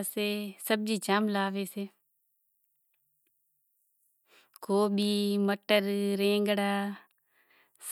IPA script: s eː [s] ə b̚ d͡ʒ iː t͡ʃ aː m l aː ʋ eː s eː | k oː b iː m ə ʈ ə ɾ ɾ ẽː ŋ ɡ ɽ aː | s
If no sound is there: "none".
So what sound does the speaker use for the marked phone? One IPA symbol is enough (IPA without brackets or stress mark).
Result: s